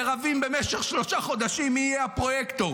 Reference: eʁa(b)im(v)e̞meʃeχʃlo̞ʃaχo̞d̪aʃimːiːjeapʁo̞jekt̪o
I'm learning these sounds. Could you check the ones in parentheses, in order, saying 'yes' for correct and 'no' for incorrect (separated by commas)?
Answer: no, no